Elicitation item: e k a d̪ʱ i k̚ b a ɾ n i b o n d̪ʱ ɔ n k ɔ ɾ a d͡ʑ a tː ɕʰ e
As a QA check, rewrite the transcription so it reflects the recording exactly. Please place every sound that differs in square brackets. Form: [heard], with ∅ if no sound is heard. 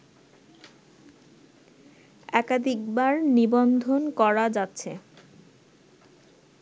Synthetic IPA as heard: [ɛ] k a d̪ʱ i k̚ b a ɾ n i b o n d̪ʱ [o] n k ɔ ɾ a d͡ʑ a tː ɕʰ e